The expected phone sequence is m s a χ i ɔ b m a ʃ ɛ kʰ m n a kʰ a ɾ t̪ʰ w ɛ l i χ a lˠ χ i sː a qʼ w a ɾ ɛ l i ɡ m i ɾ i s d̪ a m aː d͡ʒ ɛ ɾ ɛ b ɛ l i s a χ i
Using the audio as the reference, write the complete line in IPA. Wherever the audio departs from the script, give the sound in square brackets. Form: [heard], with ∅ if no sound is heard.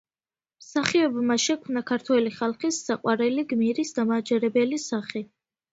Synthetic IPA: m s a χ i ɔ b m a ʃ ɛ kʰ m n a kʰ a ɾ t̪ʰ w ɛ l i χ a lˠ χ i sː a qʼ w a ɾ ɛ l i ɡ m i ɾ i s d̪ a m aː d͡ʒ ɛ ɾ ɛ b ɛ l i s a χ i